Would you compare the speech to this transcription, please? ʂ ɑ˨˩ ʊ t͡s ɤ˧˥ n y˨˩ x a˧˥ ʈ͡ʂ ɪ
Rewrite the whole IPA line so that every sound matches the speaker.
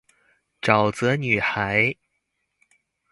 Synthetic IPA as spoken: ʈ͡ʂ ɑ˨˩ ʊ t͡s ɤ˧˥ n y˨˩ x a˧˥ ɪ